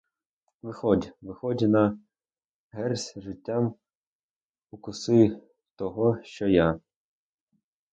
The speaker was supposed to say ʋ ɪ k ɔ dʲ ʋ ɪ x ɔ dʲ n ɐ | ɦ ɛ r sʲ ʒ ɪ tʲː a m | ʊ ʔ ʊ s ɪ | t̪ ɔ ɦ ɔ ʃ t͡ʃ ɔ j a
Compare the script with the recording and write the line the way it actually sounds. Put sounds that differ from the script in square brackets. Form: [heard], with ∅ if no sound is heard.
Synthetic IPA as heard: ʋ ɪ [x] ɔ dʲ ʋ ɪ x ɔ dʲ n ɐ | ɦ ɛ r sʲ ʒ ɪ tʲː a m | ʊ [k] ʊ s ɪ | t̪ ɔ ɦ ɔ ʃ t͡ʃ ɔ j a